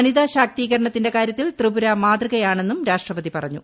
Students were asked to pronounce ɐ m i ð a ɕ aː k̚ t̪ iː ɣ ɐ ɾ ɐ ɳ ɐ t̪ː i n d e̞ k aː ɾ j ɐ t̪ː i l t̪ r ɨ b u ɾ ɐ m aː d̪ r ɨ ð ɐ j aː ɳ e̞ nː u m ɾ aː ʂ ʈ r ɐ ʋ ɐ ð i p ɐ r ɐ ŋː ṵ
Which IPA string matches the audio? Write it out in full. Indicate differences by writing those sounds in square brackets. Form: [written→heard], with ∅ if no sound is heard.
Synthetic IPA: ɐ [m→n] i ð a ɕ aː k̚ t̪ iː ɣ ɐ ɾ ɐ ɳ ɐ t̪ː i n d e̞ k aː ɾ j ɐ t̪ː i l t̪ r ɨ b u ɾ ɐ m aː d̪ r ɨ [ð→ɣ] ɐ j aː ɳ e̞ nː u m ɾ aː ʂ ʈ r ɐ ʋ ɐ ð i p ɐ r ɐ [ŋː→ɲː] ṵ